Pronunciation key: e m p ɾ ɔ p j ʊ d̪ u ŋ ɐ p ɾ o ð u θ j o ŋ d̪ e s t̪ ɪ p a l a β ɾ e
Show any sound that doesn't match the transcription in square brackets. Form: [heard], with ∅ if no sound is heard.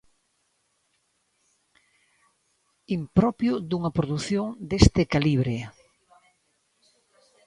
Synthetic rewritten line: [i] m p ɾ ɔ p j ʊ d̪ u ŋ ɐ p ɾ o ð u θ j o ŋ d̪ e s t̪ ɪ [k] a l [i] β ɾ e

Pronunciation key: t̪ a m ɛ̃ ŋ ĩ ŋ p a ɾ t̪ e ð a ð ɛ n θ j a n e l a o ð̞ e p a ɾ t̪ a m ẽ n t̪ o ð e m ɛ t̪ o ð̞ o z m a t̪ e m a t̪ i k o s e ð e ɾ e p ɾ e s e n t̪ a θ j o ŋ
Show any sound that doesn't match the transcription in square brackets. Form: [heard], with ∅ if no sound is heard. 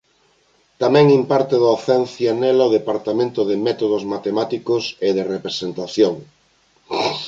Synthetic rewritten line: t̪ a m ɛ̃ ŋ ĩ [m] p a ɾ t̪ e ð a [θ] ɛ n θ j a n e l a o ð̞ e p a ɾ t̪ a m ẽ n t̪ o ð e m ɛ t̪ o ð̞ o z m a t̪ e m a t̪ i k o s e ð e [r] e p ɾ e s e n t̪ a θ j o ŋ

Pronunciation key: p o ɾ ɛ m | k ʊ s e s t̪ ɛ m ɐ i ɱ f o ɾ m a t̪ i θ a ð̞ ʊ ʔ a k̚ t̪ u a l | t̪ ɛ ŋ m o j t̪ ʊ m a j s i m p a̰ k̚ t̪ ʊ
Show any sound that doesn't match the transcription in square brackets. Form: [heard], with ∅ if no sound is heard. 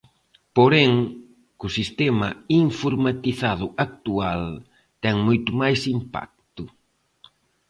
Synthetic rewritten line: p o ɾ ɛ [ŋ] | k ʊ s [i] s t̪ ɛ m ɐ i ɱ f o ɾ m a t̪ i θ a ð̞ ʊ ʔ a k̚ t̪ u a l | t̪ ɛ ŋ m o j t̪ ʊ m a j s i m p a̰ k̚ t̪ ʊ

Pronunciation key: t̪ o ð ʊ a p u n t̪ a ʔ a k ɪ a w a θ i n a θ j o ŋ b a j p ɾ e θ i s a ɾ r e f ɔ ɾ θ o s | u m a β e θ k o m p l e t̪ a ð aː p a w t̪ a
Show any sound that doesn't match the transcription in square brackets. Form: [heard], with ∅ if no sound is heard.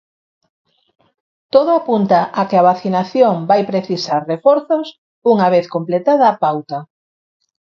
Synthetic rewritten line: t̪ o ð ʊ a p u n t̪ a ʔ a k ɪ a [β] a θ i n a θ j o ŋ b a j p ɾ e θ i s a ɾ r e f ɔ ɾ θ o s | u [ŋ] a β e θ k o m p l e t̪ a ð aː p a w t̪ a

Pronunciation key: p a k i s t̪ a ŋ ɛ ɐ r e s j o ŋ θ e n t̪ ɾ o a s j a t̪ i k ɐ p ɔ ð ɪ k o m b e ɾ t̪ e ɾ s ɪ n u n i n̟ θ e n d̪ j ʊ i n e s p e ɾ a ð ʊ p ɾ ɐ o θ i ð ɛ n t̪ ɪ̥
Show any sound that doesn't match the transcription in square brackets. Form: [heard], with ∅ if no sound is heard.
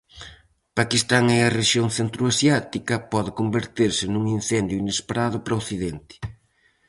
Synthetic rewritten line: p a k i s t̪ a ŋ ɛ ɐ r e [ʃ] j o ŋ θ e n t̪ ɾ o a s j a t̪ i k ɐ p ɔ ð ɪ k o m b e ɾ t̪ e ɾ s ɪ n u [ŋ] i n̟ θ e n d̪ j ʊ i n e s p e ɾ a ð ʊ p ɾ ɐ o θ i ð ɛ n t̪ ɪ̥

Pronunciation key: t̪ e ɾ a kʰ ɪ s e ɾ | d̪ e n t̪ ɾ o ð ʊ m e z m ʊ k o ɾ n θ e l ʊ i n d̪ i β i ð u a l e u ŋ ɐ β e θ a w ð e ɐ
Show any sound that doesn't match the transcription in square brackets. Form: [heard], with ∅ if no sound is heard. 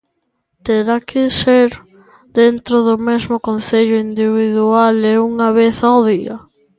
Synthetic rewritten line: t̪ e ɾ a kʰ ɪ s e ɾ | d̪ e n t̪ ɾ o ð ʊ m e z m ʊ k o [∅] n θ e [ʎ] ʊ i n d̪ i β i ð u a l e u ŋ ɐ β e θ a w ð [i] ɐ

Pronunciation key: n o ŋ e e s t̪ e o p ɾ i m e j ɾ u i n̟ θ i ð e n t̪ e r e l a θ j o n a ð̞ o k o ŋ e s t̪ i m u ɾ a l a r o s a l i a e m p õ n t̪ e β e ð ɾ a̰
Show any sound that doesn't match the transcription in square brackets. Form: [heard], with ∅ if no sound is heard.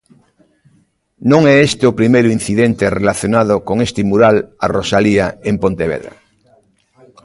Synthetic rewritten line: n [õ] ŋ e e s t̪ e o p ɾ i m e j ɾ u i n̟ θ i ð e n t̪ e r e l a θ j o n a ð̞ o k o ŋ e s t̪ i m u ɾ a l a r o s a l i a e m p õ n t̪ e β e ð ɾ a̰

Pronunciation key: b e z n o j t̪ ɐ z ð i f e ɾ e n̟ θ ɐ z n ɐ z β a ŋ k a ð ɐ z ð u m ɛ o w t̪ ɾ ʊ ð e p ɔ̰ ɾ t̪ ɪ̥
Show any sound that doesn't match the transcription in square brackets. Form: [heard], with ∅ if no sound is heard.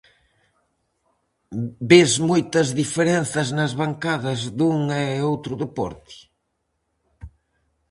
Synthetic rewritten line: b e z [m] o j t̪ ɐ z ð i f e ɾ e n̟ θ ɐ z n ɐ z β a ŋ k a ð ɐ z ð u [ŋ] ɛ o w t̪ ɾ ʊ ð e p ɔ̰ ɾ t̪ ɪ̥

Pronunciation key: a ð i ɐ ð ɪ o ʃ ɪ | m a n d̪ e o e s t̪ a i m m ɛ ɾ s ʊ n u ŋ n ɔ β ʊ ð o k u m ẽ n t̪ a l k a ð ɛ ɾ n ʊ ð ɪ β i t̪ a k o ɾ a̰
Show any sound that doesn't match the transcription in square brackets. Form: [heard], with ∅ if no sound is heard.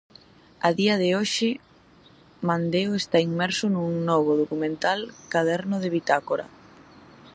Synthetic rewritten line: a ð i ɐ ð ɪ o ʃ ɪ | m a n d̪ e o e s t̪ a i [ŋ] m ɛ ɾ s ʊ n u ŋ n ɔ β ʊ ð o k u m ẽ n t̪ a l k a ð ɛ ɾ n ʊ ð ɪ β i t̪ a k o ɾ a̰

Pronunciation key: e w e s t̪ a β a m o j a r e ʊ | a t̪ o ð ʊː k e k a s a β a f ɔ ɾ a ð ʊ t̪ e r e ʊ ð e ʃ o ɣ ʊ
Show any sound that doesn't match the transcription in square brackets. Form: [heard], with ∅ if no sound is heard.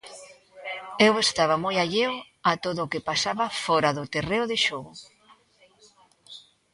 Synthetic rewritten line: e w e s t̪ a β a m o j a [ʎ] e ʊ | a t̪ o ð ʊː k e [p] a s a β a f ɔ ɾ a ð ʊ t̪ e r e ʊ ð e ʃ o ɣ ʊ

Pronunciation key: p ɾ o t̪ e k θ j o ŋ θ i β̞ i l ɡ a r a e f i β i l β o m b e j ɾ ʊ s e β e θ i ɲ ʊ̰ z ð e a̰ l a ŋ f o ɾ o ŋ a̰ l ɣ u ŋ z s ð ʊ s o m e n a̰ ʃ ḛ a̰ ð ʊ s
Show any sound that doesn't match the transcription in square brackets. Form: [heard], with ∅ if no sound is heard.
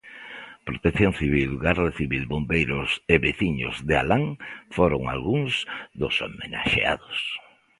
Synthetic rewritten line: p ɾ o t̪ e k θ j o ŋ θ i β̞ i l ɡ a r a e [θ] i β i l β o m b e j ɾ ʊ s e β e θ i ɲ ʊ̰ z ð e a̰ l a ŋ f o ɾ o ŋ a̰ l ɣ u ŋ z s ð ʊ s o m e n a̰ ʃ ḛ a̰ ð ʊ s

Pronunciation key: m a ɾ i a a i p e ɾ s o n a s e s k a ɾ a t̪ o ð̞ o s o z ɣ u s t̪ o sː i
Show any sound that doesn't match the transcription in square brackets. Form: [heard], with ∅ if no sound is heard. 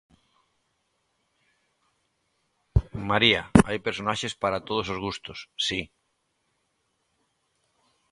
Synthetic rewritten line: m a ɾ i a a [j] p e ɾ s o n a [ʃ] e s [p] a ɾ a t̪ o ð̞ o s o z ɣ u s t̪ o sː i

